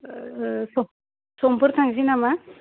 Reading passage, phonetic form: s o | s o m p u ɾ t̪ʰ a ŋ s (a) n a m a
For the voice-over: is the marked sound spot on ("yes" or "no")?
no